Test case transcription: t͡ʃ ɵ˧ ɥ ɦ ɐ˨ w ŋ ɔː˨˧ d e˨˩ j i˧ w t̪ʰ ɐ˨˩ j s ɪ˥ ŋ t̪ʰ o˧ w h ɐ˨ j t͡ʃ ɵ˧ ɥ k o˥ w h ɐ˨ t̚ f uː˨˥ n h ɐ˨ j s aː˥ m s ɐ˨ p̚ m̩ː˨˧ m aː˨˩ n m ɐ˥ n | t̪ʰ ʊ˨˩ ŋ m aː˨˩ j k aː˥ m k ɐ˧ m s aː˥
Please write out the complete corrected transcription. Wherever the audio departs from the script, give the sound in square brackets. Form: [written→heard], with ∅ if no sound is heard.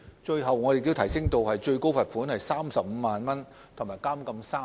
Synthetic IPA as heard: t͡ʃ ɵ˧ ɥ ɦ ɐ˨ w ŋ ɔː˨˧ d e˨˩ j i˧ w t̪ʰ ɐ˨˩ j s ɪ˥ ŋ [t̪ʰ→t̪] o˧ w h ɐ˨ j t͡ʃ ɵ˧ ɥ k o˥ w [h→f] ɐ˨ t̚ f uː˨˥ n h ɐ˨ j s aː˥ m s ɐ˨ p̚ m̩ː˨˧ m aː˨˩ n m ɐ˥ n | t̪ʰ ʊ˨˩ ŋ m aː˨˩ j k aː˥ m k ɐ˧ m s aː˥